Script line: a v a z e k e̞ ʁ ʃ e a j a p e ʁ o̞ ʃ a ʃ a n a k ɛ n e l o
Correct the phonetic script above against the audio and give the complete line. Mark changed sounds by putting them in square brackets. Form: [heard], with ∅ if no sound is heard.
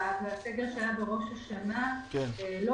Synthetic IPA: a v a [s] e [ɡ] e̞ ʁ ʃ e a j a [b] e ʁ o̞ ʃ a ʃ a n a k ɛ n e l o